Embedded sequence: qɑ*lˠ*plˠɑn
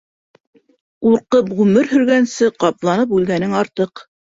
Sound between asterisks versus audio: incorrect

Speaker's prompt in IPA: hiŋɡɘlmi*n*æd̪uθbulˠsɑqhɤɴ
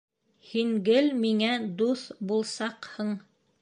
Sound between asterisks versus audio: incorrect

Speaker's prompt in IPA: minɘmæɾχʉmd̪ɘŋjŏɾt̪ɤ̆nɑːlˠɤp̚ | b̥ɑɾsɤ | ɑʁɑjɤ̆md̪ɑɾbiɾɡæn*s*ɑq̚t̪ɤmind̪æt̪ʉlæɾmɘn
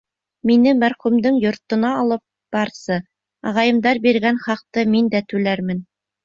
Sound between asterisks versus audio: incorrect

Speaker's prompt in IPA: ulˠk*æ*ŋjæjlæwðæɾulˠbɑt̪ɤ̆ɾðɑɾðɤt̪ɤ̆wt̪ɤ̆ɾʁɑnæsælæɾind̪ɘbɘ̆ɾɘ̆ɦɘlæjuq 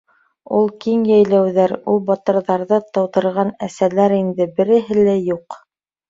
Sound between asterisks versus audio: incorrect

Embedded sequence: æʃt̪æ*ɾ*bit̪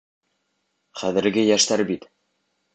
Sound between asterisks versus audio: correct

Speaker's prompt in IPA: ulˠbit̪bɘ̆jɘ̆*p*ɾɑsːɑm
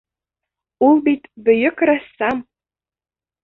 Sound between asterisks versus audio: incorrect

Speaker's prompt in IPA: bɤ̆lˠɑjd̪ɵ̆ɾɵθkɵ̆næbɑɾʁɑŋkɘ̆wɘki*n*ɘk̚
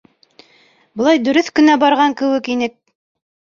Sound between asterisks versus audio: correct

